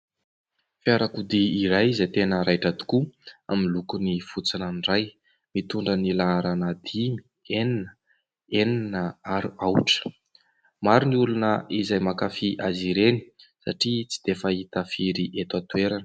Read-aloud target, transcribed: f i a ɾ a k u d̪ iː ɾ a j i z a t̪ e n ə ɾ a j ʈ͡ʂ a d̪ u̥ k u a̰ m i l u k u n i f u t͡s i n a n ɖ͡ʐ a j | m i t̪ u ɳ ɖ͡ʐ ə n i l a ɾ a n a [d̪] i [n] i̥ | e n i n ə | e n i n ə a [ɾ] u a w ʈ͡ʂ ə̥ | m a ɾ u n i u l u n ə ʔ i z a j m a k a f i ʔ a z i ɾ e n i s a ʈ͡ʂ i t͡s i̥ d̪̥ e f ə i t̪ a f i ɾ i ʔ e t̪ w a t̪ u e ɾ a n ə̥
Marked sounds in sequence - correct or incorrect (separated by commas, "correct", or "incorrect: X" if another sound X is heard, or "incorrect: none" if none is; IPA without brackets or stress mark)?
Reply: correct, incorrect: m, correct